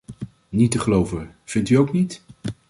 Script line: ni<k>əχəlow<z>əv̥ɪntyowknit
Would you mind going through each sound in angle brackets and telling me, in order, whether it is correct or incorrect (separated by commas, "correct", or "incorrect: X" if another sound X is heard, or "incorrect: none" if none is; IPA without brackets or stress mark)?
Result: incorrect: t, incorrect: v